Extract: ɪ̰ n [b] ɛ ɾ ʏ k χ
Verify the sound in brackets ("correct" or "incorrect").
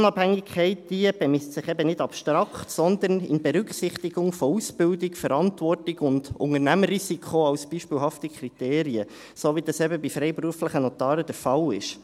correct